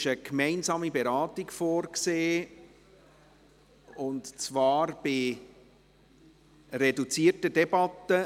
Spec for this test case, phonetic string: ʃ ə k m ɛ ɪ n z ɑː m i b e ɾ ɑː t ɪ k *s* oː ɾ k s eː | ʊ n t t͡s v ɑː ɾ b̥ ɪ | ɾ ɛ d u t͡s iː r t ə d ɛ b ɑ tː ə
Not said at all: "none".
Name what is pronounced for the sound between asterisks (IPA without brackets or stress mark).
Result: f